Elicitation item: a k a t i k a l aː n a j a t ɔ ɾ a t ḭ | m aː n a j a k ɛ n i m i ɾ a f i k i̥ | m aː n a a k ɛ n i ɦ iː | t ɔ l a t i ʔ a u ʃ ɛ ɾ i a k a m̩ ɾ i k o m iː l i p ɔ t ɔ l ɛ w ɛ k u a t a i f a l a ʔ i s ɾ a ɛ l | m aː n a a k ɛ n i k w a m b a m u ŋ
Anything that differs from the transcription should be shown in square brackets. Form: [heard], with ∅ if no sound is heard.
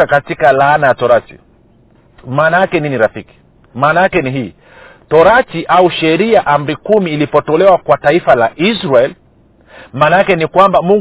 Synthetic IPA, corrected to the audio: a k a t i k a l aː n a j a t ɔ ɾ a t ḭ | m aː n a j a k ɛ n i [n] i ɾ a f i k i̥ | m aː n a a k ɛ n i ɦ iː | t ɔ [ɾ] a t i ʔ a u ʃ ɛ ɾ i a [ʔ] a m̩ ɾ i k [u] m iː l i p ɔ t ɔ l ɛ w [a] k [w] a t a i f a l a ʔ i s ɾ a ɛ l | m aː n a a k ɛ n i k w a m b a m u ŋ